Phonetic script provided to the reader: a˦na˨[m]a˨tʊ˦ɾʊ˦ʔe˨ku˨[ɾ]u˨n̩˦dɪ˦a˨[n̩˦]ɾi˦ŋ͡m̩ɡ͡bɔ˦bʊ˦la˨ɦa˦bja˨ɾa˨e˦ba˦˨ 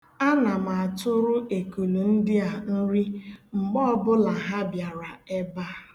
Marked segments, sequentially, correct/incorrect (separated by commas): correct, incorrect, correct